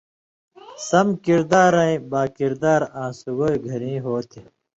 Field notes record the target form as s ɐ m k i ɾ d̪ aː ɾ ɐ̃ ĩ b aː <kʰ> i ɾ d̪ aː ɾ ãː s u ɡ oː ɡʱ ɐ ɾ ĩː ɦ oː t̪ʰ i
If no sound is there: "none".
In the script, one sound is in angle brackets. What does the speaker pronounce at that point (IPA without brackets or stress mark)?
k